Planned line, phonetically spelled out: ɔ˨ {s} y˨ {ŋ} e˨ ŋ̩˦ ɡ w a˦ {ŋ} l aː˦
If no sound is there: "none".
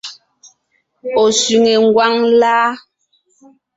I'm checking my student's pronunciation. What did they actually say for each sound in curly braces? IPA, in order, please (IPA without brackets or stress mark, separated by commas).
s, ŋ, ŋ